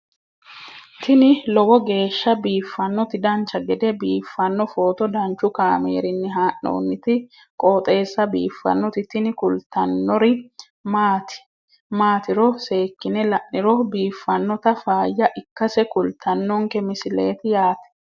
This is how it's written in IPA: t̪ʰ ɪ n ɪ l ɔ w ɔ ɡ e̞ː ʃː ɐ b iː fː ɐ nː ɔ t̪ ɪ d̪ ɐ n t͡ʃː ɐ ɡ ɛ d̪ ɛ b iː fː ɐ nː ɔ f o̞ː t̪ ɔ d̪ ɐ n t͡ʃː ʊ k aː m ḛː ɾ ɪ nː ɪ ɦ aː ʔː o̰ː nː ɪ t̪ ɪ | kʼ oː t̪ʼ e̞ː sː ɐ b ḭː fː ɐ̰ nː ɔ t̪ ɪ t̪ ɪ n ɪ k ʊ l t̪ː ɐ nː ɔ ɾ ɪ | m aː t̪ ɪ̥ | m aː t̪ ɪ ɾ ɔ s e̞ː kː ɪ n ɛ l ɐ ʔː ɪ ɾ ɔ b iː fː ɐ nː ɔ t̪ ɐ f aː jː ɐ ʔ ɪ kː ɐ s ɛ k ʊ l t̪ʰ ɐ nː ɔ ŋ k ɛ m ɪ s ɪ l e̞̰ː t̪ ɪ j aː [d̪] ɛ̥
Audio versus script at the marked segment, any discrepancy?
yes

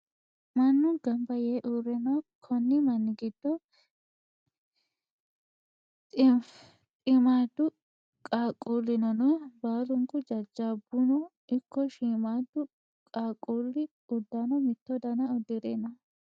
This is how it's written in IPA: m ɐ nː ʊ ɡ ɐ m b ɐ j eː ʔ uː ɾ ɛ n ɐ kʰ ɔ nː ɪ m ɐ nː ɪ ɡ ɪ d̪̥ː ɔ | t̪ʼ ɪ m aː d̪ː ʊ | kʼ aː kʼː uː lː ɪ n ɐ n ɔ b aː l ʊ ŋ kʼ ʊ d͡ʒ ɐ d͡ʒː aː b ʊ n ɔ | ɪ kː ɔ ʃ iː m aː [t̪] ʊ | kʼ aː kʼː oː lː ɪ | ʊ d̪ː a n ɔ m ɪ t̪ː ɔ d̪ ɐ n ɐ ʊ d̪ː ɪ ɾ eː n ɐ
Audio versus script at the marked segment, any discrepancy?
yes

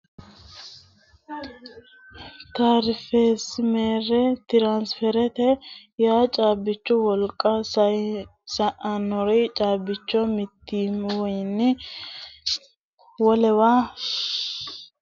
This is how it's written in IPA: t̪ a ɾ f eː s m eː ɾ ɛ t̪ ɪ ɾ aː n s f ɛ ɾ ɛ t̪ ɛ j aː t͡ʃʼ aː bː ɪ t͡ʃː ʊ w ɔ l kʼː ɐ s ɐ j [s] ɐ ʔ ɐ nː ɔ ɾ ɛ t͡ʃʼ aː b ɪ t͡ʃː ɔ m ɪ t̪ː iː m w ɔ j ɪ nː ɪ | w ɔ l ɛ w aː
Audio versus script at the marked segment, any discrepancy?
no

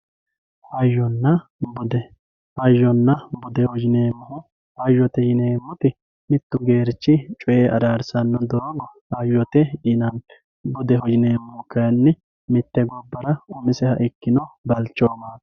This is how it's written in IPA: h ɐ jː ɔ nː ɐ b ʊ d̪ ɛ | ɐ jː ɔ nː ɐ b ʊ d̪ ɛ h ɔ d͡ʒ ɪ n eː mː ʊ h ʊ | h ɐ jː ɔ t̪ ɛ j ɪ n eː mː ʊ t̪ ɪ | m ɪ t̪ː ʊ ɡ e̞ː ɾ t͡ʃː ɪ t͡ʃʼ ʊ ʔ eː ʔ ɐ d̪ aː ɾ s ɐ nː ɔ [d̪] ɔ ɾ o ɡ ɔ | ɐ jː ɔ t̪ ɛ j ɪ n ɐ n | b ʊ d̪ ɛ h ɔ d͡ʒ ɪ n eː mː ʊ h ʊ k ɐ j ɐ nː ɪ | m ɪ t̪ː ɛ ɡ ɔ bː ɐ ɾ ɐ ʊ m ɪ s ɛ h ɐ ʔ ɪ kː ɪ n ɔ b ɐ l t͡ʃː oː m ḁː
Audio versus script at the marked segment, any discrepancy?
no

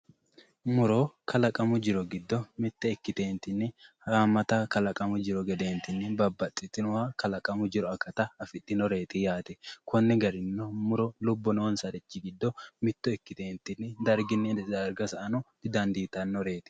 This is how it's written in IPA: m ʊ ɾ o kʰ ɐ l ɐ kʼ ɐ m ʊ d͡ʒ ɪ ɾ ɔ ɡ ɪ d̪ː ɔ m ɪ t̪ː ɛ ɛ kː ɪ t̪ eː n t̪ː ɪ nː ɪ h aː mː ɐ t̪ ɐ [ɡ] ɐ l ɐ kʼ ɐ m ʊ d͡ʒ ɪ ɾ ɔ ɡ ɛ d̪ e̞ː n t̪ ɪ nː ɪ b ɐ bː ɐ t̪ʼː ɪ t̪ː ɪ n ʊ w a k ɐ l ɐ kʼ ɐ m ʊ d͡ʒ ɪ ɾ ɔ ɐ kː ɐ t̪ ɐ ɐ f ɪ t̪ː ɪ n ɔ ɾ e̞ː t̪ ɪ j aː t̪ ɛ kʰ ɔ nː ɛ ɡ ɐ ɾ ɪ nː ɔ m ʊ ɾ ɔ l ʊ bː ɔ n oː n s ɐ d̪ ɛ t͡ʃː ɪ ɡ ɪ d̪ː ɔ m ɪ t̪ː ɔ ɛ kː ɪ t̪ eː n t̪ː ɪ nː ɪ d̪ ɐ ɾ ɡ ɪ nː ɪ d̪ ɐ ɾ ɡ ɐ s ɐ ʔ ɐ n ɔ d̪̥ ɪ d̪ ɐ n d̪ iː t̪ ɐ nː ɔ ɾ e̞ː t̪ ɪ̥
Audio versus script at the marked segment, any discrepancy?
yes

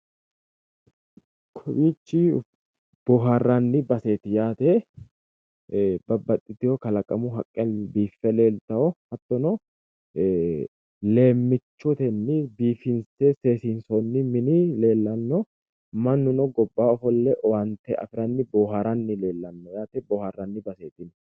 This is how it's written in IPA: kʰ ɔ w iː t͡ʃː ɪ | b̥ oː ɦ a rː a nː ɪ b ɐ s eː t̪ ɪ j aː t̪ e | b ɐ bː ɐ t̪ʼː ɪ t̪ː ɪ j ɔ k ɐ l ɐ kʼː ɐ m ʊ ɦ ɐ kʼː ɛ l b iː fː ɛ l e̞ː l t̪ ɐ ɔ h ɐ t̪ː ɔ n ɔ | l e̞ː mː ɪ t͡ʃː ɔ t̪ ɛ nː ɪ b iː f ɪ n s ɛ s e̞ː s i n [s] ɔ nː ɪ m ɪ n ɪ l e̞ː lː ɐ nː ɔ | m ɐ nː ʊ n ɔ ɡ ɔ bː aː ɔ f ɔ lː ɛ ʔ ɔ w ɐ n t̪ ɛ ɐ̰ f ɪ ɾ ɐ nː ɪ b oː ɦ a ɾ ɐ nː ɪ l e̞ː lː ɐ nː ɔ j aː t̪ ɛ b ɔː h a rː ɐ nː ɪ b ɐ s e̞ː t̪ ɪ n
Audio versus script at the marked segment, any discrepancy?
no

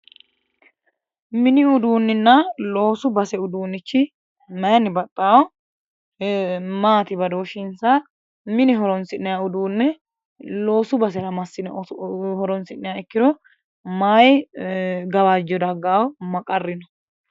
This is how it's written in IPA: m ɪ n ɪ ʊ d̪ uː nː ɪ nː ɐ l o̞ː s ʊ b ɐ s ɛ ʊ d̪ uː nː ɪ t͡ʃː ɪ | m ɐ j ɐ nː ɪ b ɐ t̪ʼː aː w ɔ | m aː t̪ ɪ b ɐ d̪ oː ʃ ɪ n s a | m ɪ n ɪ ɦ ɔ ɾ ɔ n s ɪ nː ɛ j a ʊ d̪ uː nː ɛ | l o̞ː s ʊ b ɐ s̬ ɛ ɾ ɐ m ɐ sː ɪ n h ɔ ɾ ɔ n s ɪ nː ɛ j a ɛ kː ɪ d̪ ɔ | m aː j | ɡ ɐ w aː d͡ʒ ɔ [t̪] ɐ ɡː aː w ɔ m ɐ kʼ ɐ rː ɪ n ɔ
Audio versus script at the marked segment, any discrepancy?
yes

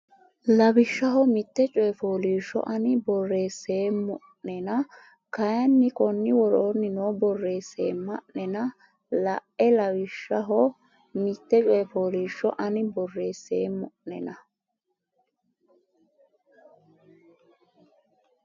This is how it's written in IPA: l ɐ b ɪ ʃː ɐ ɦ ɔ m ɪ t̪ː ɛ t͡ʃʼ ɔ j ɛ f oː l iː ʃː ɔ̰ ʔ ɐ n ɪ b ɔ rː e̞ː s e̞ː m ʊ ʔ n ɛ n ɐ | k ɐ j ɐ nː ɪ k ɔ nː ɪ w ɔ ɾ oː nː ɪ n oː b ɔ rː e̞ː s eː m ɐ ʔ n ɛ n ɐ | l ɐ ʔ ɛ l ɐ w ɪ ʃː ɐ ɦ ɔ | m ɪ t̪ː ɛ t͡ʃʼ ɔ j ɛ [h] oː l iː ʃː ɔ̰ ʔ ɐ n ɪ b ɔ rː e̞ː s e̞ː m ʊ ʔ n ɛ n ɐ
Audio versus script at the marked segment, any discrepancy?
yes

